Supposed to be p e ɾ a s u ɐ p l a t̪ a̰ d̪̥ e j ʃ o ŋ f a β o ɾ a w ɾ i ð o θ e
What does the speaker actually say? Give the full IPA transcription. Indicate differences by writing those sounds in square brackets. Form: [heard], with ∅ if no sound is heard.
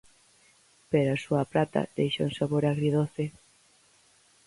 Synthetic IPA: p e ɾ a s u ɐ p [ɾ] a t̪ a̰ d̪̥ e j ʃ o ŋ [s] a β o ɾ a [ɣ] ɾ i ð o θ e